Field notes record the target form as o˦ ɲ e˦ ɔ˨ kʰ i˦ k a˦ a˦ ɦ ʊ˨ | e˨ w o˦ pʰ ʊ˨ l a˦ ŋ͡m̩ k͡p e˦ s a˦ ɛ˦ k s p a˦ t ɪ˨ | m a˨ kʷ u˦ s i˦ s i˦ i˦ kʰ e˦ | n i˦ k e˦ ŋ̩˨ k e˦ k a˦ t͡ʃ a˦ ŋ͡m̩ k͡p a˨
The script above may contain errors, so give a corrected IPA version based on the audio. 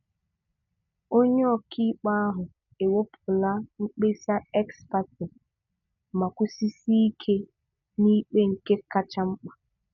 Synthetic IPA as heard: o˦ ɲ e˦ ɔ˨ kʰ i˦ k͡p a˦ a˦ ɦ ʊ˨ | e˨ w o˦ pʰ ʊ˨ l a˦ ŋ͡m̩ k͡p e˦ s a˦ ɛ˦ k s p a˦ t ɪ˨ | m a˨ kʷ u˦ s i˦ s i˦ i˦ kʰ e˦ | n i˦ k͡p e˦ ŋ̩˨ k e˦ k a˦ t͡ʃ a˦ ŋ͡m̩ k͡p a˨

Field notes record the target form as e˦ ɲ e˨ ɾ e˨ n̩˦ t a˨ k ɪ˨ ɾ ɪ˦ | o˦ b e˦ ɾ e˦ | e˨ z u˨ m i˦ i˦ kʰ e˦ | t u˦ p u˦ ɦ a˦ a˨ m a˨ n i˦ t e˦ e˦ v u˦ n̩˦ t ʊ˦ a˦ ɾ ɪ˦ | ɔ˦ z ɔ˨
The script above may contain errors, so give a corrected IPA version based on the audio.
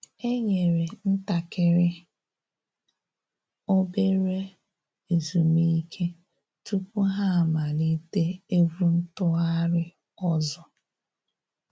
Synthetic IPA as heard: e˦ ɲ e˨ ɾ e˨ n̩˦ t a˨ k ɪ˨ ɾ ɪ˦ | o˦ b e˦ ɾ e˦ | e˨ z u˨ m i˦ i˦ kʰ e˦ | t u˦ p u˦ ɦ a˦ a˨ m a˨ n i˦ t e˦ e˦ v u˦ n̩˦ t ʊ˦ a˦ ɾ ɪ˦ | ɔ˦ z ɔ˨

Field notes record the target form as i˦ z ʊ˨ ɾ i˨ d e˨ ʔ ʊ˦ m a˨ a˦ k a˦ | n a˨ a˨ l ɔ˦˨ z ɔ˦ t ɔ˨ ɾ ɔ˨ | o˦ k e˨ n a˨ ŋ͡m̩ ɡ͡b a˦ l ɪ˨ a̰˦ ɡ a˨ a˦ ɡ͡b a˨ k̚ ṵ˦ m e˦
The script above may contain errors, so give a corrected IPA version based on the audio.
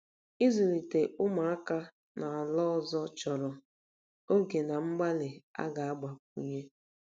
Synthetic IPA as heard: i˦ z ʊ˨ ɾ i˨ t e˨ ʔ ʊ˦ m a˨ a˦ k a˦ | n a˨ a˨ l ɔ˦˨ z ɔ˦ t͡ʃ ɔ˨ ɾ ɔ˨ | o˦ ɡ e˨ n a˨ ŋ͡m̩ ɡ͡b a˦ l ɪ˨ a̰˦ ɡ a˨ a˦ ɡ͡b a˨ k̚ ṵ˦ ɲ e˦

